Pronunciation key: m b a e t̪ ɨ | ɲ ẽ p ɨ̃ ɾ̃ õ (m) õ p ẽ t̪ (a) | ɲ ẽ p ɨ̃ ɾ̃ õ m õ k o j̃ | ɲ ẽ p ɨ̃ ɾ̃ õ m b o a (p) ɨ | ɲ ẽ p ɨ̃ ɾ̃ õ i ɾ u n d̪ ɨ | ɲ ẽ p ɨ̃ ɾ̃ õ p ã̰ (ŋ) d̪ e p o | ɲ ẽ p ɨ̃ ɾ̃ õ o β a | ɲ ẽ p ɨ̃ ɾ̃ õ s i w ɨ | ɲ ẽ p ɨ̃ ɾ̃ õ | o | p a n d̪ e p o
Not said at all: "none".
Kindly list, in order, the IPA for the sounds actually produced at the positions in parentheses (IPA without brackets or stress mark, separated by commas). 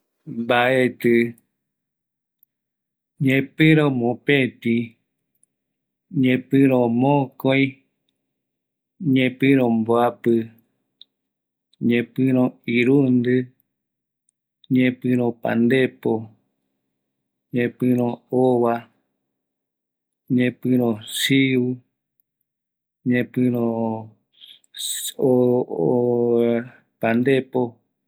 m, i, p, n